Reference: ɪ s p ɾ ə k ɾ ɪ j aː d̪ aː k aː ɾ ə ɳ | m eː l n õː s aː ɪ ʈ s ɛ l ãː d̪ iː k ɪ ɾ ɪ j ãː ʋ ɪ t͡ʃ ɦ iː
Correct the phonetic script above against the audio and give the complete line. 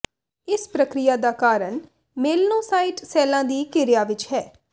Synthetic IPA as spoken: ɪ s p ɾ ə k ɾ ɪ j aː d̪ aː k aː ɾ ə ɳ | m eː l n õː s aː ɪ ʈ s ɛː l ãː d̪ iː k ɪ ɾ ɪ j aː ʋ ɪ t͡ʃ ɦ ɛː

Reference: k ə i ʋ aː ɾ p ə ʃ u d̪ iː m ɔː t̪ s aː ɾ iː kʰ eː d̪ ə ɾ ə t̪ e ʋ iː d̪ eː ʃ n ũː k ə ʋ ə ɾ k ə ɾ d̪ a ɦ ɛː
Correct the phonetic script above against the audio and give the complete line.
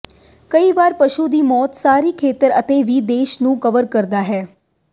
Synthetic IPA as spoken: k ə i ʋ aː ɾ p ə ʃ u d̪ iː m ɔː t̪ s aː ɾ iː kʰ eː t̪ ə ɾ ə t̪ e ʋ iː d̪ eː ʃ n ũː k ə ʋ ə ɾ k ə ɾ d̪ a ɦ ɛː

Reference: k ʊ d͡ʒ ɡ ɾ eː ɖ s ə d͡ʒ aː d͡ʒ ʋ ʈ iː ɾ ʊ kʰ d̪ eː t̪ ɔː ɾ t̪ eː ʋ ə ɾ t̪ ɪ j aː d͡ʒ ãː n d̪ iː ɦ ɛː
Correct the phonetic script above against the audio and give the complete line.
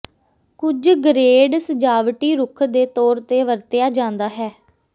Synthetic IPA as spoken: k ʊ d͡ʒ ɡ ɾ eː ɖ s ə d͡ʒ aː ʋ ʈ iː ɾ ʊ kʰ d̪ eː t̪ ɔː ɾ t̪ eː ʋ ə ɾ t̪ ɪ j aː d͡ʒ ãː n d̪ aː ɦ ɛː

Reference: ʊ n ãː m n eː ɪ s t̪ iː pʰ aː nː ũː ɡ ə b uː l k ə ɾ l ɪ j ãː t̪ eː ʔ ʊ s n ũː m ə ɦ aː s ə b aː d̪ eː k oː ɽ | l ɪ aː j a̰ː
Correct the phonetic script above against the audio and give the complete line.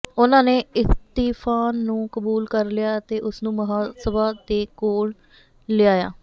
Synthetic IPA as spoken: ʊ n ãː n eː ɪ s t̪ iː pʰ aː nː ũː k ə b uː l k ə ɾ l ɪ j aː t̪ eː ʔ ʊ s n ũː m ə ɦ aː s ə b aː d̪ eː k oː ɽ | l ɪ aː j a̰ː

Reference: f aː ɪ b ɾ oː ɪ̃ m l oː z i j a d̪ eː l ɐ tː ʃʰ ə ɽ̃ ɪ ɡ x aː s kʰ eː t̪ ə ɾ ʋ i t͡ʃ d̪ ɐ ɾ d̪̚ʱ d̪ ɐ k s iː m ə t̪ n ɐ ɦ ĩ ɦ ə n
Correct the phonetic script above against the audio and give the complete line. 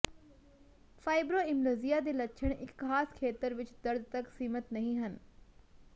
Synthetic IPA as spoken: f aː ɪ b ɾ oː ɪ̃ m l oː z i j a d̪ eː l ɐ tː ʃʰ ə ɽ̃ ɪ k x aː s kʰ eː t̪ ə ɾ ʋ ɪ t͡ʃ d̪ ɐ ɾ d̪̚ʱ t̪ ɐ k s iː m ə t̪ n ɐ ɦ ĩ ɦ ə n

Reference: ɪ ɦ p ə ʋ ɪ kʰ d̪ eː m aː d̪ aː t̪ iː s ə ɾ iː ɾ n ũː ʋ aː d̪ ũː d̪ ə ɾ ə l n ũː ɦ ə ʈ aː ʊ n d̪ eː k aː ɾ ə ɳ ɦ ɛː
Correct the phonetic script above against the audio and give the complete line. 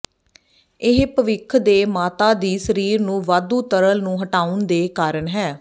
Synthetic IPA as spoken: ɪ ɦ p ə ʋ ɪ kʰ d̪ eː m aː t̪ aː d̪ iː s ə ɾ iː ɾ n ũː ʋ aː d̪ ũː t̪ ə ɾ ə l n ũː ɦ ə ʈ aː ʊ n d̪ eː k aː ɾ ə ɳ ɦ ɛː

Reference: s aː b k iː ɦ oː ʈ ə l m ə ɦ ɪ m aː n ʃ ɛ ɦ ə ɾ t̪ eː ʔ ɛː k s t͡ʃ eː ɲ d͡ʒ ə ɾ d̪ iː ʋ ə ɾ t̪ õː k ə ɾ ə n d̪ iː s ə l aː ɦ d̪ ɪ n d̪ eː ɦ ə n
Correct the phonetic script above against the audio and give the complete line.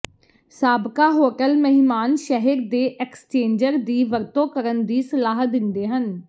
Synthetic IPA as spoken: s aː b k aː ɦ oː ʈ ə l m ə ɦ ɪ m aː n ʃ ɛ ɦ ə ɾ d̪ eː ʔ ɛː k s t͡ʃ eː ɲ d͡ʒ ə ɾ d̪ iː ʋ ə ɾ t̪ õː k ə ɾ ə n d̪ iː s ə l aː ɦ d̪ ɪ n d̪ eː ɦ ə n

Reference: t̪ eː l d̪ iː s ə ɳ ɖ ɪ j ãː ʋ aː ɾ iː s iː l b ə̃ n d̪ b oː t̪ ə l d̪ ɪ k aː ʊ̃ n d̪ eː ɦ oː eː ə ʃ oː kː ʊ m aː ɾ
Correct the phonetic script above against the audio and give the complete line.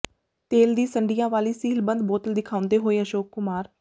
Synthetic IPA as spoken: t̪ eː l d̪ iː s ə ɳ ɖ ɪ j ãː ʋ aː l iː s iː l b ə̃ n d̪ b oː t̪ ə l d̪ ɪ kʰ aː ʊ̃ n d̪ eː ɦ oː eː ə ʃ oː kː ʊ m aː ɾ

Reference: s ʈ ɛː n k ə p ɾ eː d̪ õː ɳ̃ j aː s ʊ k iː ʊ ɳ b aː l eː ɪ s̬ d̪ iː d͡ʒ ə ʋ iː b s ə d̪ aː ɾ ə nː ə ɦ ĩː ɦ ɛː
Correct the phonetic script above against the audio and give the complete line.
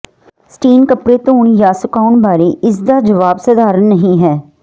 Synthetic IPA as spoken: s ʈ iː n k ə p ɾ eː t̪ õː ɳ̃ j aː s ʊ k aː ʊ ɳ b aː ɾ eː ɪ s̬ d̪ aː d͡ʒ ə ʋ aː b s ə d̪ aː ɾ ə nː ə ɦ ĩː ɦ ɛː

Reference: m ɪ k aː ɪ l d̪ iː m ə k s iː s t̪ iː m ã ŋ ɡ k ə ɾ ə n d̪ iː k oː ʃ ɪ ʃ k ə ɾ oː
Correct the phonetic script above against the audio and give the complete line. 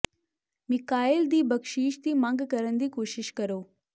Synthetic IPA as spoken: m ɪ k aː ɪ l d̪ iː b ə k ʃ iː ʃ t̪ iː m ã ŋ ɡ k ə ɾ ə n d̪ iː k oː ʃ ɪ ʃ k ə ɾ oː

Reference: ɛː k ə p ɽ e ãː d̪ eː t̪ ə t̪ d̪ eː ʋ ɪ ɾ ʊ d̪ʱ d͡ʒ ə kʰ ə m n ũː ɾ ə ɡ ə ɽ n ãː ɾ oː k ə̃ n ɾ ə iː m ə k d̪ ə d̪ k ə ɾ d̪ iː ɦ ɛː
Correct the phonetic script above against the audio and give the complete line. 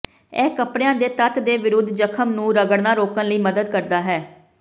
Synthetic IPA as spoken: ɛː k ə p ɽ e ãː d̪ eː t̪ ə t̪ d̪ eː ʋ ɪ ɾ ʊ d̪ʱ d͡ʒ ə kʰ ə m n ũː ɾ ə ɡ ə ɽ n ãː ɾ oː k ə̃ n l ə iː m ə d̪ ə d̪ k ə ɾ d̪ aː ɦ ɛː

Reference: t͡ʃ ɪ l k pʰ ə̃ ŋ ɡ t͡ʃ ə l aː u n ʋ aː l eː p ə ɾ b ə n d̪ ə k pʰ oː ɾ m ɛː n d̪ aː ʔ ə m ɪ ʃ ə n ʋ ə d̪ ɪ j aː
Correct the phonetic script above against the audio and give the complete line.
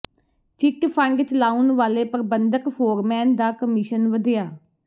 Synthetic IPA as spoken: t͡ʃ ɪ k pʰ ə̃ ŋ ɡ t͡ʃ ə l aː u n ʋ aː l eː p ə ɾ b ə n d̪ ə k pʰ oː ɾ m ɛː n d̪ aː k ə m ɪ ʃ ə n ʋ ə d̪ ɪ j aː

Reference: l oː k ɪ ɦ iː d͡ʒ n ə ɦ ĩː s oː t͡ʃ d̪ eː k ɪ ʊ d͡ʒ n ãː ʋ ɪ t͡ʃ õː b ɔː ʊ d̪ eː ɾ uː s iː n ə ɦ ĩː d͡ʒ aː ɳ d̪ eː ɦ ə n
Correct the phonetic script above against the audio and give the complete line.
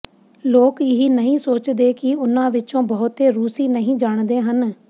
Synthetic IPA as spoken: l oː k ɪ ɦ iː n ə ɦ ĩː s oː t͡ʃ d̪ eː k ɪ ʊ n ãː ʋ ɪ t͡ʃ õː b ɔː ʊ t̪ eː ɾ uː s iː n ə ɦ ĩː d͡ʒ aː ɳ d̪ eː ɦ ə n

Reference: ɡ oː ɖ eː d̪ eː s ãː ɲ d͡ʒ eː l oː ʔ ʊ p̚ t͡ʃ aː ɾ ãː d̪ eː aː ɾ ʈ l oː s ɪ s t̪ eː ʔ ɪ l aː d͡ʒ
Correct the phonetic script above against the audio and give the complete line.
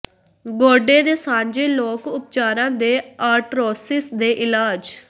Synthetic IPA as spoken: ɡ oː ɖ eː d̪ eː s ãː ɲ d͡ʒ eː l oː k ʊ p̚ t͡ʃ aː ɾ ãː d̪ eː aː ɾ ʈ ɾ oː s ɪ s d̪ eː ʔ ɪ l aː d͡ʒ

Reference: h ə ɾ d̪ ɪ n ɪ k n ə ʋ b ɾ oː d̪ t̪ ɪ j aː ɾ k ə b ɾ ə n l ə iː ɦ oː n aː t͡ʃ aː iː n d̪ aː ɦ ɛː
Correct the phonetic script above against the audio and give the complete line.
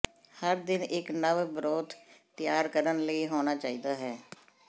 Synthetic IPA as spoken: h ə ɾ d̪ ɪ n ɪ k n ə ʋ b ɾ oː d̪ t̪ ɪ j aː ɾ k ə ɾ ə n l ə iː ɦ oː n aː t͡ʃ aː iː d̪ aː ɦ ɛː

